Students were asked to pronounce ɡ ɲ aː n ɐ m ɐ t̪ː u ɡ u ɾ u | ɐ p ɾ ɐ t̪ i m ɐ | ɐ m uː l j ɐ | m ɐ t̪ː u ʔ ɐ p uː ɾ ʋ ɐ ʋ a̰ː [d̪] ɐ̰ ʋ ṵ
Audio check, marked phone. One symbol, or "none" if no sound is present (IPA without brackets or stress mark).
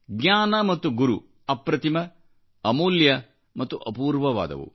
d̪